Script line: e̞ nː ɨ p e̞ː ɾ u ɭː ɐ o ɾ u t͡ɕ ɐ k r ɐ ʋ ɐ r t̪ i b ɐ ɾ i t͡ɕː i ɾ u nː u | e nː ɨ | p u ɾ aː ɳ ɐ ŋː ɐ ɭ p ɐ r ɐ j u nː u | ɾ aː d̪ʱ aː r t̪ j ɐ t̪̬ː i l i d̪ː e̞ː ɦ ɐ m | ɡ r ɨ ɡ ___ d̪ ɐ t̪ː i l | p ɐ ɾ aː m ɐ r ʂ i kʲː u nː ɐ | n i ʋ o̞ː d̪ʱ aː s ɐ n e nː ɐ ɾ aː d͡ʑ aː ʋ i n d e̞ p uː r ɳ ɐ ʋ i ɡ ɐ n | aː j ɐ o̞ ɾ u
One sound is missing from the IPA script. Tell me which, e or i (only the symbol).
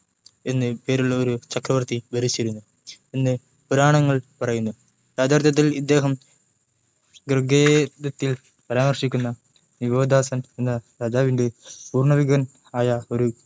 e